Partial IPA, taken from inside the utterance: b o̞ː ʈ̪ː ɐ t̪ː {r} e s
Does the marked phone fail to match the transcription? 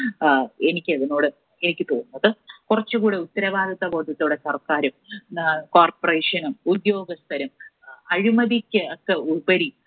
yes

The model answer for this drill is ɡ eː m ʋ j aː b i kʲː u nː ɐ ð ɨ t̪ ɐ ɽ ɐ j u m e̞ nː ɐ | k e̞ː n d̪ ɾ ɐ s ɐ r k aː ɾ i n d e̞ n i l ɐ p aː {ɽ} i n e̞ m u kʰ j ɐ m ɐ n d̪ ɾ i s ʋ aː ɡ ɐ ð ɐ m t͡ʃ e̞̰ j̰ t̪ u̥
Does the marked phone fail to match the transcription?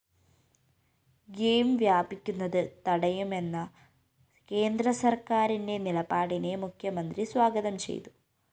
no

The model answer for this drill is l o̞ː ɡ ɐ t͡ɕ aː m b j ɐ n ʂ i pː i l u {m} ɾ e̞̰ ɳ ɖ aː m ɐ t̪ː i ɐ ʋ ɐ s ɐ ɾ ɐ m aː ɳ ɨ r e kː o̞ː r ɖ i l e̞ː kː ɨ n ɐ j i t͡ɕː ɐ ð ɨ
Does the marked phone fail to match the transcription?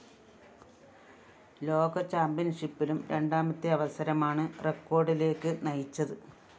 no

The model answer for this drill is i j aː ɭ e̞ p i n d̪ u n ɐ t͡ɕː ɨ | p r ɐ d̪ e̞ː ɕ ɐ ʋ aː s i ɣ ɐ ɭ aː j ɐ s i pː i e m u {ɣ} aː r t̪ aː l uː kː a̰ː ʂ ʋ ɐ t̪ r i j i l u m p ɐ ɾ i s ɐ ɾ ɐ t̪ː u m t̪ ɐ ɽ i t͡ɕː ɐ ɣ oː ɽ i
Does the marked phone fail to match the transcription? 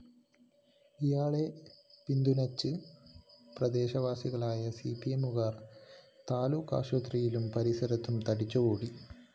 no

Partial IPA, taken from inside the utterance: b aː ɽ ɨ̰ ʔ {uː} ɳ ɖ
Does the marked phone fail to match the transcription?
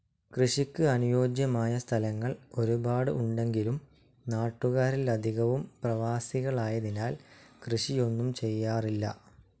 yes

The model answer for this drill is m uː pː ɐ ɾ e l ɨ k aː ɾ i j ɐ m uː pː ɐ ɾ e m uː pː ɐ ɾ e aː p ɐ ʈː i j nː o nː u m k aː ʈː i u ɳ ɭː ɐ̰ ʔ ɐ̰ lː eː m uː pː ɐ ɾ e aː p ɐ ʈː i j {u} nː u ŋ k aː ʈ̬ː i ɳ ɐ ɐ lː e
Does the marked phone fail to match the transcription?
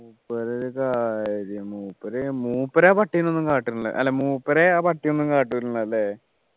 yes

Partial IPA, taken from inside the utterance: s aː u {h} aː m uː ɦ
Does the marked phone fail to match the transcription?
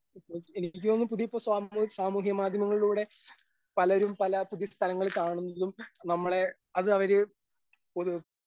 yes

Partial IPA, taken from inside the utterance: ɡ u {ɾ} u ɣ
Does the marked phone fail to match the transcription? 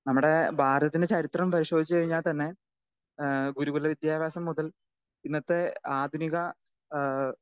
no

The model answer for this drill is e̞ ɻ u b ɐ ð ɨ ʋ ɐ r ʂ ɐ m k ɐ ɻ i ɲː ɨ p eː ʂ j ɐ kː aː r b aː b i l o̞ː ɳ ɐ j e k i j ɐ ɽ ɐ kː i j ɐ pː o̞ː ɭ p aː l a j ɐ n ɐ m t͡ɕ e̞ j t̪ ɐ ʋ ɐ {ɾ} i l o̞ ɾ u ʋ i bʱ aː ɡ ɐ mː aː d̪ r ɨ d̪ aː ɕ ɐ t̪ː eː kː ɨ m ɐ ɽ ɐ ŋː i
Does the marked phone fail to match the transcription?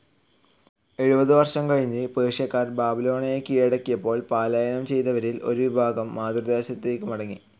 no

